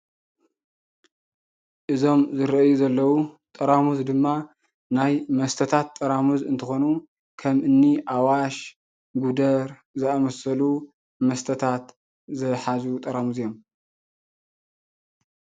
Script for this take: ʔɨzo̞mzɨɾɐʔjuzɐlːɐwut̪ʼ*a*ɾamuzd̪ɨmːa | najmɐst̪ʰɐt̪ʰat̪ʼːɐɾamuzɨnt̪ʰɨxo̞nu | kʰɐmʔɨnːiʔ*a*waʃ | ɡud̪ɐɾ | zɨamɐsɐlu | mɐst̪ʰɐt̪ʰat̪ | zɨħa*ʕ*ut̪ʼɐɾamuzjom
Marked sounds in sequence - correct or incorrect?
incorrect: ɐ, correct, incorrect: z

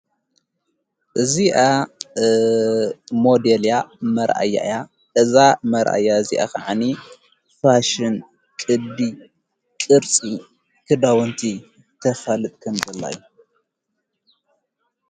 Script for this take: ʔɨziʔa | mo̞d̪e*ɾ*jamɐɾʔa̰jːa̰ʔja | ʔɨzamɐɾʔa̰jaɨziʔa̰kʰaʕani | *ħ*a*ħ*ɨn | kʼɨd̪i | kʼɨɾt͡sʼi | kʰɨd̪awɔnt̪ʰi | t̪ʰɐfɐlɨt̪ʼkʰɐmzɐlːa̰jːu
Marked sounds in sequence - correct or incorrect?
incorrect: l, incorrect: f, incorrect: ʃ

